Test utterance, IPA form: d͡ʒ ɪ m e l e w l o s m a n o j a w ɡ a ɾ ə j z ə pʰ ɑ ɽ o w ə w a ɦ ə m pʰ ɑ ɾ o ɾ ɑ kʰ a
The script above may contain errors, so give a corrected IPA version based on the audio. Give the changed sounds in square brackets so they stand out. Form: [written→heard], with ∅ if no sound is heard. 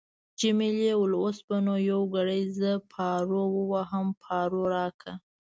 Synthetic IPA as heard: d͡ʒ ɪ m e l e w l o s [m→b] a n o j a w ɡ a [ɾ→ɽ] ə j z ə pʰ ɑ [ɽ→ɾ] o w ə w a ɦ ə m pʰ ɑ ɾ o ɾ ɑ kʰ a